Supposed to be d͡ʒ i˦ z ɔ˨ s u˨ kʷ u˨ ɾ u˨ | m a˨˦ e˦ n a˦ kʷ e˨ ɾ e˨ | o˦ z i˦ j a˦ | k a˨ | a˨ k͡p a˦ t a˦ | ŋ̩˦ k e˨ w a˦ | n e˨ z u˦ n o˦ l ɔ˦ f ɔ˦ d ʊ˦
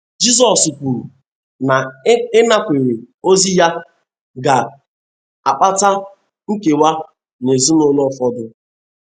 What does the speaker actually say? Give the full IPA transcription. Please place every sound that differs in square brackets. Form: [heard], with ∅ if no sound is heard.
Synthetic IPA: d͡ʒ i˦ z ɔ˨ s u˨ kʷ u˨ ɾ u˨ | [n] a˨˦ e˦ n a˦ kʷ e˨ ɾ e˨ | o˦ z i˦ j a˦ | [ɡ] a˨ | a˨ k͡p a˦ t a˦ | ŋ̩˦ k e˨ w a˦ | n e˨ z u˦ n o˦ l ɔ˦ f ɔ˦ d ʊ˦